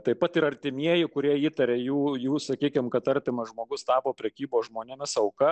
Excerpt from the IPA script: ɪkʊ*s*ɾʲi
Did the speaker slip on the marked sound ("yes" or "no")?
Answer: yes